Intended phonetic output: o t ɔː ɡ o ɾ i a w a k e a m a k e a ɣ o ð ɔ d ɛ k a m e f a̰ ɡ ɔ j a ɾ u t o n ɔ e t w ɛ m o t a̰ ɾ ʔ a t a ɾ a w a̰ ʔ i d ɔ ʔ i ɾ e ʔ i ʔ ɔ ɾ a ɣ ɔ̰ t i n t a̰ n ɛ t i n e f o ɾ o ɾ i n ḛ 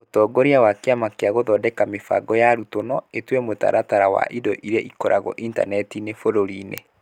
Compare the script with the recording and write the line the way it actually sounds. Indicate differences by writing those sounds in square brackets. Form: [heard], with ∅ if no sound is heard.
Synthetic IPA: o t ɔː ɡ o ɾ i a w a k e a m a k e a ɣ o ð ɔ d ɛ k a m e f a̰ ɡ ɔ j a ɾ u t o n ɔ e t w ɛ m o t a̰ ɾ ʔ a t a ɾ a w a̰ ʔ i d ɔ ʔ i ɾ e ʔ i [k] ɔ ɾ a ɣ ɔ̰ [ʔ] i n t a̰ n ɛ t i n e f o ɾ o ɾ i n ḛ